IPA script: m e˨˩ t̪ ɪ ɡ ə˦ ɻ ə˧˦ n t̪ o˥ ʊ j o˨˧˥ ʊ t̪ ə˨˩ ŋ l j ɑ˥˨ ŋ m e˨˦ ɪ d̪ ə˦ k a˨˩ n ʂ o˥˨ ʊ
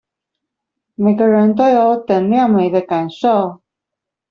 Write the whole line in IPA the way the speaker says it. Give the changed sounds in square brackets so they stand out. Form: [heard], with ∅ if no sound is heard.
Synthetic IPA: m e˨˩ [∅] ɪ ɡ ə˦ ɻ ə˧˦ n t̪ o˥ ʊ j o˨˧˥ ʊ t̪ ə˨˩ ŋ l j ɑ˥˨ ŋ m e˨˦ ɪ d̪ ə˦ k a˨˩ n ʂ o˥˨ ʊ